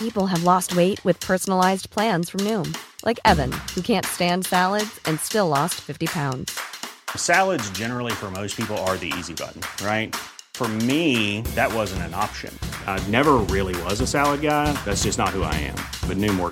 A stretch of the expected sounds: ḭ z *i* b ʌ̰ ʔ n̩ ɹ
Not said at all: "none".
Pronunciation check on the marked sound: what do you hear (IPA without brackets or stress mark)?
i